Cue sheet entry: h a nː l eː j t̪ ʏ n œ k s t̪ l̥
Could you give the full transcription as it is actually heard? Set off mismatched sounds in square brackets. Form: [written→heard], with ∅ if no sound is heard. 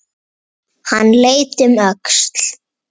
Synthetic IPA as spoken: h a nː l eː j t̪ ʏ [n→m] œ k s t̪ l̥